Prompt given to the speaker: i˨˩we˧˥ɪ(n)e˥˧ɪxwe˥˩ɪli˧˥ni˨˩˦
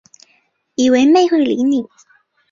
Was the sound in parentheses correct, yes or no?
no